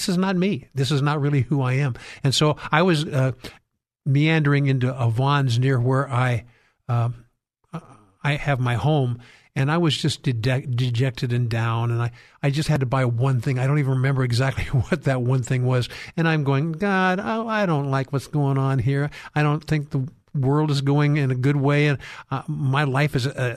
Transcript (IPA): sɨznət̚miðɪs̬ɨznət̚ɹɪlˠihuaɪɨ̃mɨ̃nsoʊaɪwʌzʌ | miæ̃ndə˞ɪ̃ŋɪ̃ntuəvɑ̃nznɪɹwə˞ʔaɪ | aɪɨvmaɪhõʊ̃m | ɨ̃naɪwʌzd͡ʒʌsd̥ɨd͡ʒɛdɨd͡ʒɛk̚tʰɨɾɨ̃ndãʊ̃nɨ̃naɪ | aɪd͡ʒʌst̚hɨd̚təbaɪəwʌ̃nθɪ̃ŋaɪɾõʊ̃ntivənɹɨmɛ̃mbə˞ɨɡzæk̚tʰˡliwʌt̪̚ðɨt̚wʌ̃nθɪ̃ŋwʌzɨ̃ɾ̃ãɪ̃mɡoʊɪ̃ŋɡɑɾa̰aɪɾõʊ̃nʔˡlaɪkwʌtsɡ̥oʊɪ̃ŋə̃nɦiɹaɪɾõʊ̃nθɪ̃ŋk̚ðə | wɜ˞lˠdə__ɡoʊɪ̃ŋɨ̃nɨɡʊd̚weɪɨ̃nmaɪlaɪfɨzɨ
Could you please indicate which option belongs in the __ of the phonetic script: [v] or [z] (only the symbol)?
z